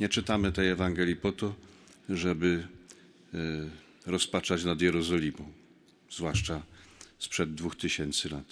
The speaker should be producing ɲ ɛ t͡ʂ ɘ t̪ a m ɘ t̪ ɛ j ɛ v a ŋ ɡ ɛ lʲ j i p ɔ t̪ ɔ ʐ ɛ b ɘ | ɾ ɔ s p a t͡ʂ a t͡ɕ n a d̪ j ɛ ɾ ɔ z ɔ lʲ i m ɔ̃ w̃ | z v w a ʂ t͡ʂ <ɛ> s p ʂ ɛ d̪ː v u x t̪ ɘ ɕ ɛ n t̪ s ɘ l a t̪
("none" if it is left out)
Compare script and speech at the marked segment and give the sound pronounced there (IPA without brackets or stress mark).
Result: a